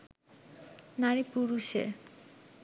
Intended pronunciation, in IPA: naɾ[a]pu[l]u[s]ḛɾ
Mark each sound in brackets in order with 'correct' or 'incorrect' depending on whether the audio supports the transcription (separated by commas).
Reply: incorrect, incorrect, incorrect